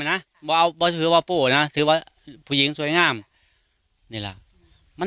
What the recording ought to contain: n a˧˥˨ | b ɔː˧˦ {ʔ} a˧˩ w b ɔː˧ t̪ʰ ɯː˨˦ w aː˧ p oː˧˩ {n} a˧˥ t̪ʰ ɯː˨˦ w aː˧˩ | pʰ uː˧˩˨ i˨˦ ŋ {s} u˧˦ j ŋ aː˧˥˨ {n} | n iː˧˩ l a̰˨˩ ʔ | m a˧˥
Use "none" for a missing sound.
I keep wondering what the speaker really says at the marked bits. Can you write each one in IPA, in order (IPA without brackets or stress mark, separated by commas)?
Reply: ʔ, n, s, m